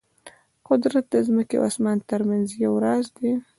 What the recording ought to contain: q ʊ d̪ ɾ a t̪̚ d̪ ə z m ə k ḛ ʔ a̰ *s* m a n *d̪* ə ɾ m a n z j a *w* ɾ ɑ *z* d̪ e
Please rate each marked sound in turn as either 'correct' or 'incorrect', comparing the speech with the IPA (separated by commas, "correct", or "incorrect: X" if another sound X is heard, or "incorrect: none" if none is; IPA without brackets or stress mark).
correct, incorrect: t̪, correct, correct